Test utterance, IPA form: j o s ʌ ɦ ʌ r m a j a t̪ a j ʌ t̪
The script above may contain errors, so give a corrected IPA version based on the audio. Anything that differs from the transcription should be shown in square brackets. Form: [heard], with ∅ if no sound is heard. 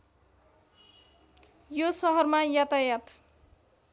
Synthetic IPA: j o s ʌ ɦ ʌ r m a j a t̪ a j [a] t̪

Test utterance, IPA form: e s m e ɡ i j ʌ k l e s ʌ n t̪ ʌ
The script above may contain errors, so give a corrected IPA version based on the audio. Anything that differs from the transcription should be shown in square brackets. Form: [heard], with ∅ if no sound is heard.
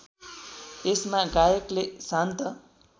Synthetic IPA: e s m [a] ɡ [a] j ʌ k l e s [a] n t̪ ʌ

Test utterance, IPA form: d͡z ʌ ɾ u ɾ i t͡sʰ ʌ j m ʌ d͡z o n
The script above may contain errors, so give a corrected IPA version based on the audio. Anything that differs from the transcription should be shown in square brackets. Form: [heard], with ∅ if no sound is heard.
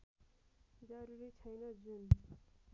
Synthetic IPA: d͡z ʌ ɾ u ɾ i t͡sʰ ʌ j [n] ʌ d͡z [u] n

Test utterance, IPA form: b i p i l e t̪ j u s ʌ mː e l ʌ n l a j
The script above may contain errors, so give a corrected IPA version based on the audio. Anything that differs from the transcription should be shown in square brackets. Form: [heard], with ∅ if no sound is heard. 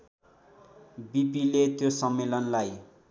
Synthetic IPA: b i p i l e t̪ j [o] s ʌ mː e l ʌ n l a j

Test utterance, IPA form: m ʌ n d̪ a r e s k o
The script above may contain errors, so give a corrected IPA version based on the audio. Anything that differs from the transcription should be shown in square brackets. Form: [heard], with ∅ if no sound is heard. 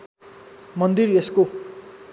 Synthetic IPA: m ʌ n d̪ [i] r e s k o

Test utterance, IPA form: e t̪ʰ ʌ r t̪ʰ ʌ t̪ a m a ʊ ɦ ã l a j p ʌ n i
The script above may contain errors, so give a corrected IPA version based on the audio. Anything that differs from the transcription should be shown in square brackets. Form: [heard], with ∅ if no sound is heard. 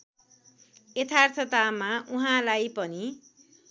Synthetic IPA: e t̪ʰ [a] r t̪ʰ ʌ t̪ a m a [u] ɦ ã l a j p ʌ n i

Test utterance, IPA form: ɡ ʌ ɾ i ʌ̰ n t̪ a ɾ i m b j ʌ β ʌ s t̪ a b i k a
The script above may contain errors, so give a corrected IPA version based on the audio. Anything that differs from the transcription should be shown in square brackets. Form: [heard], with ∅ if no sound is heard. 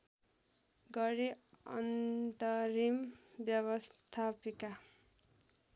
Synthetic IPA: ɡ ʌ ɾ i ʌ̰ n t̪ [ʌ] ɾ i m b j ʌ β ʌ s [t̪ʰ] a [p] i k a

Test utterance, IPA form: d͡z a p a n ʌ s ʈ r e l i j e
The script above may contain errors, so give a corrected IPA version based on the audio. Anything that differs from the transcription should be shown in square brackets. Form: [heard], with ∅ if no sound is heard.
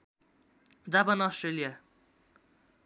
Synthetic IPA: d͡z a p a n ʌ s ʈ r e l i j [a]

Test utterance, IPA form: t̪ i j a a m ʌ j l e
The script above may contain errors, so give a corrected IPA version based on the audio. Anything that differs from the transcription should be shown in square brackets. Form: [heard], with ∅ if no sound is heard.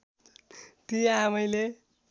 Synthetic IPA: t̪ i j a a m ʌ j l e

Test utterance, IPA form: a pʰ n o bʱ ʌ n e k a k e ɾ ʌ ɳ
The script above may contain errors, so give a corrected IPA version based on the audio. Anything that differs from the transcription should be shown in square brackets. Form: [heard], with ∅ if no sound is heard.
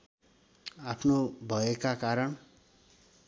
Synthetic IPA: a pʰ n o bʱ ʌ [∅] e k a k [a] ɾ ʌ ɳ

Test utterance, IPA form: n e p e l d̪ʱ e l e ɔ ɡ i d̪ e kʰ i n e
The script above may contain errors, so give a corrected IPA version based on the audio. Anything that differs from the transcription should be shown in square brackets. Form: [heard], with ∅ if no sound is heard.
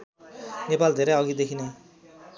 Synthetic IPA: n e p [a] l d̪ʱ e [ɾ] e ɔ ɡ i d̪ e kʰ i n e

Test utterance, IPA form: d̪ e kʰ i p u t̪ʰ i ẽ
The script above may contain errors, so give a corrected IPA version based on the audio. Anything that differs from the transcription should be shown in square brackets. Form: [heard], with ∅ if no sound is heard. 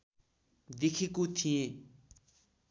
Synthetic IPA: d̪ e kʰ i [k] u t̪ʰ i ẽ

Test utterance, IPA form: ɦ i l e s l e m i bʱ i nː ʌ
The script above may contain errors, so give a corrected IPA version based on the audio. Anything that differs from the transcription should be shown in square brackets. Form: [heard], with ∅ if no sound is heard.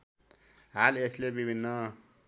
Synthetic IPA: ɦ [a] l e s l e [b] i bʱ i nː ʌ

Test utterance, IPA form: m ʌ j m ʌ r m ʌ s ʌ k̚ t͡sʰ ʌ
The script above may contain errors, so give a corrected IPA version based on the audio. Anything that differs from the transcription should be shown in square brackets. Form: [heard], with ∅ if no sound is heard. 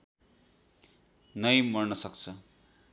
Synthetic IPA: [n] ʌ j m ʌ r [n] ʌ s ʌ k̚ t͡sʰ ʌ

